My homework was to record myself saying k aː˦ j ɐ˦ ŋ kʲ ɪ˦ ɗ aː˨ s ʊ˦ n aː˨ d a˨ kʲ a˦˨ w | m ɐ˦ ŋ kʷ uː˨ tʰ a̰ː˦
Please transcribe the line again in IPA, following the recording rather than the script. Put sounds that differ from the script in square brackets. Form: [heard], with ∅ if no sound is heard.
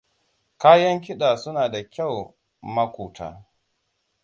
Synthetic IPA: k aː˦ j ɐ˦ ŋ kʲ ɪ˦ ɗ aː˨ s ʊ˦ n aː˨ d a˨ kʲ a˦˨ w | m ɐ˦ [∅] kʷ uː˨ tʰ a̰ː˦